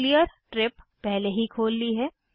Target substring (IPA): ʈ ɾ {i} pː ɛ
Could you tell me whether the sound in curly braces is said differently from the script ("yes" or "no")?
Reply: yes